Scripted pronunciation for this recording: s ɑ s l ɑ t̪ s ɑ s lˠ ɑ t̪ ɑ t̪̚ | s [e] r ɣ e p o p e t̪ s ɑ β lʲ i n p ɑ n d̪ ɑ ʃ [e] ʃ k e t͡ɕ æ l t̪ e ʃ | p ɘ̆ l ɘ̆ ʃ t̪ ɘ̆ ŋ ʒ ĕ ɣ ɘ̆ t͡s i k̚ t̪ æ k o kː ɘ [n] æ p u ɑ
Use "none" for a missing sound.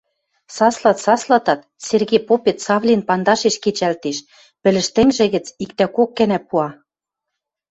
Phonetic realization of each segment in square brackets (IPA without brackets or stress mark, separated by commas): e, e, n